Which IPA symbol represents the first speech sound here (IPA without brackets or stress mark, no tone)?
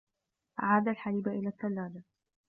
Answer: ʔ